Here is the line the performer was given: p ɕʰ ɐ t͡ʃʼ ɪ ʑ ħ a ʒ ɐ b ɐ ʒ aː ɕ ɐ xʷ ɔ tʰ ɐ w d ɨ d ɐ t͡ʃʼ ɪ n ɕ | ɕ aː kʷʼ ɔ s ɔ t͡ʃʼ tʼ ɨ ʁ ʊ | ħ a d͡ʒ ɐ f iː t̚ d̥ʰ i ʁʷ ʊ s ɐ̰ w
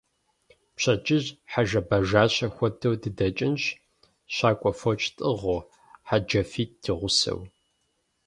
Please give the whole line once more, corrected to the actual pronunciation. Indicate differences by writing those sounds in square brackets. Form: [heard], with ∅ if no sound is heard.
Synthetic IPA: p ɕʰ ɐ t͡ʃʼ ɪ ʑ ħ a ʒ ɐ b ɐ ʒ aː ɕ ɐ xʷ ɔ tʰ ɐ w d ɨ d ɐ t͡ʃʼ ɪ n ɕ | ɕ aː kʷʼ ɔ [f] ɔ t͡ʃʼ tʼ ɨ ʁ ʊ | ħ a d͡ʒ ɐ f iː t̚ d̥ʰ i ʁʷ ʊ s ɐ̰ w